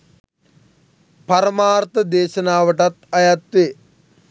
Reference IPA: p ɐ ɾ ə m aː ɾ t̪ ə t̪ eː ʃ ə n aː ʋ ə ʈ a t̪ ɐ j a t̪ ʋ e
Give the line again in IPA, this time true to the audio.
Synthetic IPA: p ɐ ɾ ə m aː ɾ t̪ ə d̪ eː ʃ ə n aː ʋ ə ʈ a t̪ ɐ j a t̪ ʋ e